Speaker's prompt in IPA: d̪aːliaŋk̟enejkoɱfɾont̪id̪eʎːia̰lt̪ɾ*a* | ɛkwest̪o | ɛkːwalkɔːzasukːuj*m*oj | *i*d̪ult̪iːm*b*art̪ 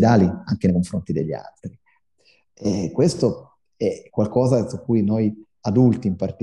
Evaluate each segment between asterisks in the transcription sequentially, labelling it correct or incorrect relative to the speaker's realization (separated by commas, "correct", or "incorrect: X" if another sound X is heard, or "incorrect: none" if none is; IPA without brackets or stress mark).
incorrect: i, incorrect: n, incorrect: a, incorrect: p